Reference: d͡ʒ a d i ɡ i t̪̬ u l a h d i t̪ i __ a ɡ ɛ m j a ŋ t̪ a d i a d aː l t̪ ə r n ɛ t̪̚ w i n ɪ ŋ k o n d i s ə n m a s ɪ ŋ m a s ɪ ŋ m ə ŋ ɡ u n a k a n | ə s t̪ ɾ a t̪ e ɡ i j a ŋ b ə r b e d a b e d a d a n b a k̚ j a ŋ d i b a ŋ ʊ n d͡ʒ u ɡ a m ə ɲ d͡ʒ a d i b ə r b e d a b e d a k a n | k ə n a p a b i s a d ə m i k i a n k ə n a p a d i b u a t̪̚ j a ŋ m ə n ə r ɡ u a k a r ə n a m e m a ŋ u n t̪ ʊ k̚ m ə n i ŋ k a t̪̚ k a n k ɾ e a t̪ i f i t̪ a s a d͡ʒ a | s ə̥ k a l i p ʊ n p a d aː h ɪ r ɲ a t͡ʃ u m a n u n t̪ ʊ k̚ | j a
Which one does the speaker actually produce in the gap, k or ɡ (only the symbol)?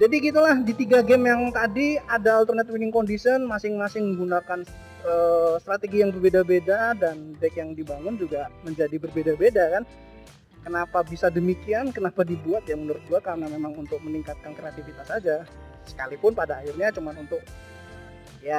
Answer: ɡ